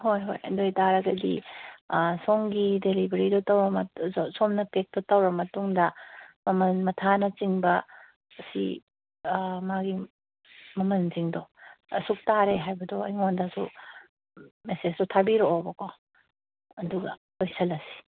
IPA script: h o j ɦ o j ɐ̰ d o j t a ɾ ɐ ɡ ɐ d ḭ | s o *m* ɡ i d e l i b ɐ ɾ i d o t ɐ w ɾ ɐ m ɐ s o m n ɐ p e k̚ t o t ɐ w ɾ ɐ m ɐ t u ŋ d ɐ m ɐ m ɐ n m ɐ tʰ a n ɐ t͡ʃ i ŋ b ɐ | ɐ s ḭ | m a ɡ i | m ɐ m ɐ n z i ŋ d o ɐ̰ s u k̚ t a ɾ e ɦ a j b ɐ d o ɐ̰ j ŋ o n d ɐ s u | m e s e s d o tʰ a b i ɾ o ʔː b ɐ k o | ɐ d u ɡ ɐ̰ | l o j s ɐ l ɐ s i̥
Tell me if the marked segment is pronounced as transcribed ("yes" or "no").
no